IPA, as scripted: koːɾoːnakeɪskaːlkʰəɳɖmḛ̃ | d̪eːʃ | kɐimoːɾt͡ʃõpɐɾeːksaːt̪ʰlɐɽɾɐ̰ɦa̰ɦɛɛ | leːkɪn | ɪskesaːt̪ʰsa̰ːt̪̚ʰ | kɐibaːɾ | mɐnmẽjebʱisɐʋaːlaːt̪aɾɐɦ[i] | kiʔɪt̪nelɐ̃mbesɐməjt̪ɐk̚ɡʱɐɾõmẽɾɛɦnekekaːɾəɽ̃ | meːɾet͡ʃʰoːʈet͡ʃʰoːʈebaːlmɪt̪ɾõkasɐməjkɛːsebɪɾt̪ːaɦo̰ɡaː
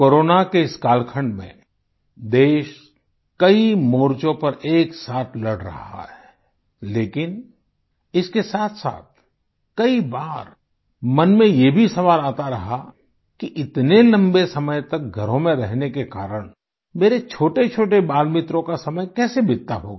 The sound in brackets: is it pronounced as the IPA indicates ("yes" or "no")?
no